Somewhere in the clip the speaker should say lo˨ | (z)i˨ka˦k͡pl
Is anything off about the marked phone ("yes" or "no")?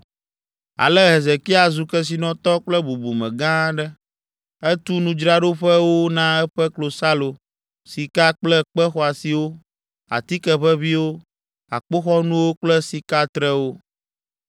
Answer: yes